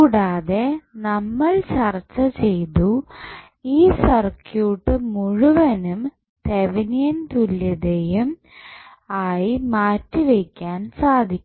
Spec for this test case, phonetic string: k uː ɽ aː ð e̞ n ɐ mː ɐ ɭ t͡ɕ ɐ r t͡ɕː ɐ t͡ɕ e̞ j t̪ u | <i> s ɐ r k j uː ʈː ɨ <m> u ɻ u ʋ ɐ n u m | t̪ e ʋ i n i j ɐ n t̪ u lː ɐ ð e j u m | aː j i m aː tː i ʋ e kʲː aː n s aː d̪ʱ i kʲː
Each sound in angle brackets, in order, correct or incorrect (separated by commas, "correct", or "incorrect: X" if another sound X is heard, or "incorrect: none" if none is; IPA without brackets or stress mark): incorrect: iː, correct